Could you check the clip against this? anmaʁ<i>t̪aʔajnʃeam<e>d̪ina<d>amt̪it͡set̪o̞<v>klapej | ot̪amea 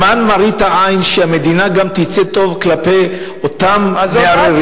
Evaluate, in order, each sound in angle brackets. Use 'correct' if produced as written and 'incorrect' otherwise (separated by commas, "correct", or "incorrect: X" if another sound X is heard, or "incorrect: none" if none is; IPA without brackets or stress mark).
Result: correct, correct, incorrect: ɡ, correct